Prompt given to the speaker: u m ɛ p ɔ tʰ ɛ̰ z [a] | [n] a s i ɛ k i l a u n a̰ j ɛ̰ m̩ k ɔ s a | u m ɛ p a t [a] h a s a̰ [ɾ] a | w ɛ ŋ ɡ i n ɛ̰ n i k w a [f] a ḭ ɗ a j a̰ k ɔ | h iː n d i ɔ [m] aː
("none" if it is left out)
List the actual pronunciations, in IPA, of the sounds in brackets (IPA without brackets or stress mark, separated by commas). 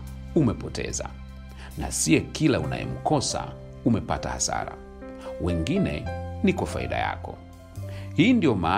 a, n, a, ɾ, f, m